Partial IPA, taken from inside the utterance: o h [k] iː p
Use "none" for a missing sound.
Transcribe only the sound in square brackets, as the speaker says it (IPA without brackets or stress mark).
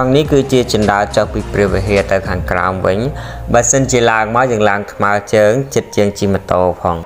p